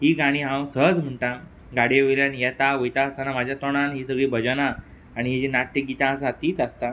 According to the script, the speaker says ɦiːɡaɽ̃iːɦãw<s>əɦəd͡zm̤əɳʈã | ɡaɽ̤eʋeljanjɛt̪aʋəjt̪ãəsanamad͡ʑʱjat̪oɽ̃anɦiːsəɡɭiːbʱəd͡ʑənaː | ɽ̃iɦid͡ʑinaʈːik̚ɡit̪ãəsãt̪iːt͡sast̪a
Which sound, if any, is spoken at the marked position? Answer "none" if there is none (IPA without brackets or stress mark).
s